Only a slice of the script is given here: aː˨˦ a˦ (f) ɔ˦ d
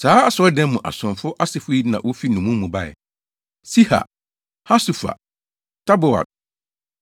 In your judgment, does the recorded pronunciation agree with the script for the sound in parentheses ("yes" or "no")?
no